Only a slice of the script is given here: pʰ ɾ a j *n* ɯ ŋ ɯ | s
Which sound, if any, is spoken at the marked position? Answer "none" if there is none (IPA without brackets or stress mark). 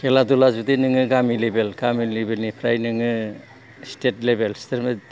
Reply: n